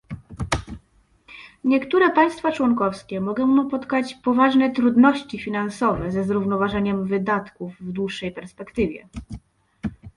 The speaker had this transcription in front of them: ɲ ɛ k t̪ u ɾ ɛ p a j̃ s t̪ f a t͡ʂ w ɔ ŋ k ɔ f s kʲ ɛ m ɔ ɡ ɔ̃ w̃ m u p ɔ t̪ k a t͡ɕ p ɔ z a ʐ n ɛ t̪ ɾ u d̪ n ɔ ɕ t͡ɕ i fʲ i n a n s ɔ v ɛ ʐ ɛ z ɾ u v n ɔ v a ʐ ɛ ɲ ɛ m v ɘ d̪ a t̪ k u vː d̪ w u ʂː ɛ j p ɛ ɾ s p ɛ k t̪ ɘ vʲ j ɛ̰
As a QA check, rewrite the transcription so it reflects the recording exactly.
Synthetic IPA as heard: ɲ ɛ k t̪ u ɾ ɛ p a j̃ s t̪ f a t͡ʂ w ɔ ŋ k ɔ f s kʲ ɛ m ɔ ɡ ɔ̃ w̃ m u p ɔ t̪ k a t͡ɕ p ɔ v a ʐ n ɛ t̪ ɾ u d̪ n ɔ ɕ t͡ɕ i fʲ i n a n s ɔ v ɛ z ɛ z ɾ u v n ɔ v a ʐ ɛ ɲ ɛ m v ɘ d̪ a t̪ k u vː d̪ w u ʂː ɛ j p ɛ ɾ s p ɛ k t̪ ɘ vʲ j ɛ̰